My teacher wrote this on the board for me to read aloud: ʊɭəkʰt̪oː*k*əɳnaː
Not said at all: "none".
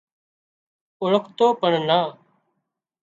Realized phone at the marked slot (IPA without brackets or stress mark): p